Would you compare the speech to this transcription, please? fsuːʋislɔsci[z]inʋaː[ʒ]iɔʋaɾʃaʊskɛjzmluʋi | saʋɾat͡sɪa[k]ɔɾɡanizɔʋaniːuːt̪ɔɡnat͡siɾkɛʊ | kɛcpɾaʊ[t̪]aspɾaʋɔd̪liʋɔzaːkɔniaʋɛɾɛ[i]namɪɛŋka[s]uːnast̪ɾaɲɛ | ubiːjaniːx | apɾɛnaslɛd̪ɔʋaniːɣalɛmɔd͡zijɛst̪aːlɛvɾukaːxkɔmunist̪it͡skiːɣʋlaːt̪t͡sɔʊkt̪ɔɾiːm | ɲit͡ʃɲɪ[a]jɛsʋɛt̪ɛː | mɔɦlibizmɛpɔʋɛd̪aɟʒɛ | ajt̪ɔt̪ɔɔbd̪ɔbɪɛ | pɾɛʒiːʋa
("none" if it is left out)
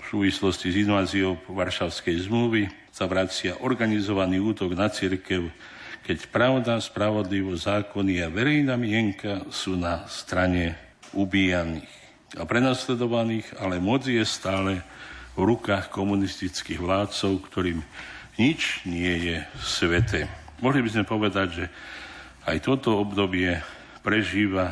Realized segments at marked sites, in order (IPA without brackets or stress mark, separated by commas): z, z, ʔ, d̪, j, s, ɛ